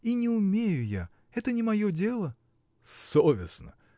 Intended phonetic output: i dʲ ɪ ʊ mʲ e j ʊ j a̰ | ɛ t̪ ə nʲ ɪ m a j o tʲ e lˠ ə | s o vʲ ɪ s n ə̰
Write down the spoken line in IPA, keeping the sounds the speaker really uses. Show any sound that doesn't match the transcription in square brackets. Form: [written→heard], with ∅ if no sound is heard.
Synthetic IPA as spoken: i [dʲ→nʲ] ɪ ʊ mʲ e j ʊ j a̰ | ɛ t̪ ə nʲ ɪ m [a→ɐ] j o [tʲ→dʲ] e lˠ ə | s o vʲ ɪ s n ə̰